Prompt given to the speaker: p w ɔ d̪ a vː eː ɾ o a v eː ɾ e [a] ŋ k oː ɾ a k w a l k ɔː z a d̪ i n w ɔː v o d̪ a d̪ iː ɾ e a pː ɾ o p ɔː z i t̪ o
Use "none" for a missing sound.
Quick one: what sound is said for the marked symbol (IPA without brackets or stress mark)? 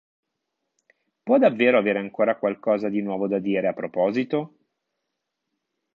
a